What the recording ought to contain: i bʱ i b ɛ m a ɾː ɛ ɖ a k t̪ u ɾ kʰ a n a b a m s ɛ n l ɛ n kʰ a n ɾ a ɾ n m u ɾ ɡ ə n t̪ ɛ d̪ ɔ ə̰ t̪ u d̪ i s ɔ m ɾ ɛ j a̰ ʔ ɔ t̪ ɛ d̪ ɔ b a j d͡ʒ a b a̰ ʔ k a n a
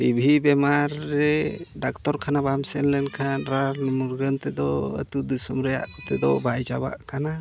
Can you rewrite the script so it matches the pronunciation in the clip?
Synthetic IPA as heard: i bʱ i b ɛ m a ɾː ɛ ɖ a k t̪ ɔ ɾ kʰ a n a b a m s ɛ n l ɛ n kʰ a n ɾ a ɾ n m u ɾ ɡ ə n t̪ ɛ d̪ ɔ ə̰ t̪ u d̪ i s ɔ m ɾ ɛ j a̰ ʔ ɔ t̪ ɛ d̪ ɔ b a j d͡ʒ a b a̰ ʔ k a n a